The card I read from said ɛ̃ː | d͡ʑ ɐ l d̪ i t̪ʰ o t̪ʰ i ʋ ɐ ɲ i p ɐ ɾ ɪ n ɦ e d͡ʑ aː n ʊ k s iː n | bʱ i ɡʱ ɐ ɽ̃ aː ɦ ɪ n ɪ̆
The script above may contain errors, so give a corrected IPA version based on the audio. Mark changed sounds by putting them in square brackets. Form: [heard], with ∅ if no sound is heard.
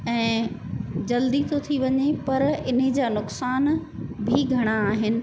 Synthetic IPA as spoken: ɛ̃ː | d͡ʑ ɐ l d̪ i t̪ʰ o t̪ʰ i ʋ ɐ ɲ [e] p ɐ ɾ ɪ n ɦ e d͡ʑ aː n ʊ k s [aː] n | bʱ i ɡʱ ɐ ɽ̃ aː ɦ ɪ n ɪ̆

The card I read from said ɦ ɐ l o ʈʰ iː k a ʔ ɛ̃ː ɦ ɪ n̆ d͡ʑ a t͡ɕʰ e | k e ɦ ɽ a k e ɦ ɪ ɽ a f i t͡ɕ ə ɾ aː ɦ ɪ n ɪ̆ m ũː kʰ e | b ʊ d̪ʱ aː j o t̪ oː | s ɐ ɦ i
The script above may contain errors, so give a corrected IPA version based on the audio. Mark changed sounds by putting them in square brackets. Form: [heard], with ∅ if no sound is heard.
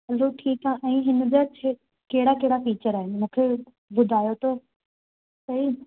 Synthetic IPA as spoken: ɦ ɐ l o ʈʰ iː k a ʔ ɛ̃ː ɦ ɪ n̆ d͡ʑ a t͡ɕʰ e | k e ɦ ɽ a k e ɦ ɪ ɽ a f [iː] t͡ɕ ə ɾ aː ɦ ɪ n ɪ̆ m ũː kʰ e | b ʊ d̪ʱ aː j o t̪ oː | s ɐ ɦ i

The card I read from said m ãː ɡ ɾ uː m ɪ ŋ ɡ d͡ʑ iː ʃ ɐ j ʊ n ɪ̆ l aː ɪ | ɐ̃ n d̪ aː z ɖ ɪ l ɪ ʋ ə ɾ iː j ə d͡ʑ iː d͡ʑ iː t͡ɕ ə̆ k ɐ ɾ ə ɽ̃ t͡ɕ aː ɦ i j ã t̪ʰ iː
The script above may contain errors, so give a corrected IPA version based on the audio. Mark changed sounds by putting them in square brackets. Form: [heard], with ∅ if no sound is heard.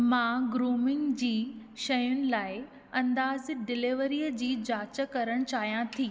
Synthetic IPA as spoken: m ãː ɡ ɾ uː m ɪ ŋ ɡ d͡ʑ iː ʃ ɐ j ʊ n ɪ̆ l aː ɪ | ɐ̃ n d̪ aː z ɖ ɪ l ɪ ʋ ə ɾ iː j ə d͡ʑ iː d͡ʑ [aː] t͡ɕ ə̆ k ɐ ɾ ə ɽ̃ t͡ɕ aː ɦ i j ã t̪ʰ iː

